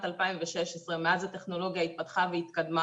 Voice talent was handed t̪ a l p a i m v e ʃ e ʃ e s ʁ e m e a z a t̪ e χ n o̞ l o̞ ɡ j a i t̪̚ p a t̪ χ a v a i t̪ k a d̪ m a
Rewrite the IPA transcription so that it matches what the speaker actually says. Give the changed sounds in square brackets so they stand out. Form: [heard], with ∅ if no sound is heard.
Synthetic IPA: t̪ a l p a i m v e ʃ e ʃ e s ʁ e m e a z a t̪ e χ n o̞ l o̞ ɡ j a i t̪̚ p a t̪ χ a v [e] i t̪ k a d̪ m a